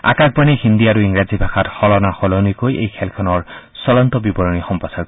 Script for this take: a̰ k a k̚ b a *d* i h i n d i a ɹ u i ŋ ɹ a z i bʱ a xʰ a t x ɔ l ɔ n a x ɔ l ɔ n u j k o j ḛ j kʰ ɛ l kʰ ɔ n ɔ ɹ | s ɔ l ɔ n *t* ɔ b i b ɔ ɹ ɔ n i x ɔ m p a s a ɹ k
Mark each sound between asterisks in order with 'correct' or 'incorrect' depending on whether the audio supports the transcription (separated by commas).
incorrect, correct